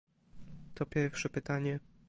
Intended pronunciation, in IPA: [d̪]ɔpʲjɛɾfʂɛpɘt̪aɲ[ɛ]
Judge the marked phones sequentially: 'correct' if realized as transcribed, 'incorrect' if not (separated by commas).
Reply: incorrect, correct